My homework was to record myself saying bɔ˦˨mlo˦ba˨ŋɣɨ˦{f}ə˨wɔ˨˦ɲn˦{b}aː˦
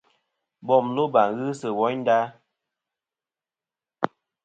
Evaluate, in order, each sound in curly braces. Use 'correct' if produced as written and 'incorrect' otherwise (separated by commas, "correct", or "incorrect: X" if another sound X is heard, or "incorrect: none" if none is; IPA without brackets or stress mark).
incorrect: s, incorrect: d